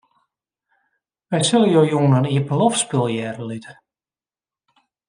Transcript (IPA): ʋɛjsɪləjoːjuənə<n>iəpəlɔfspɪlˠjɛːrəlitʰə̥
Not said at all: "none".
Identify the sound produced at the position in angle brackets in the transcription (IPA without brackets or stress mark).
n